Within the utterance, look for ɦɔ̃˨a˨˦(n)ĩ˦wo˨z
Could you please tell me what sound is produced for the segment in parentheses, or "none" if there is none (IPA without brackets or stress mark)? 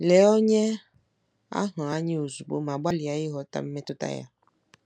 ɲ